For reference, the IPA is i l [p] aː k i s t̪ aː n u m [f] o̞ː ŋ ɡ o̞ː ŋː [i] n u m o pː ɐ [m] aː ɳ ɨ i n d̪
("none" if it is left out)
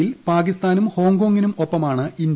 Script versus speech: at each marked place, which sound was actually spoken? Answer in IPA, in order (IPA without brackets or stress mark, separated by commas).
p, h, i, m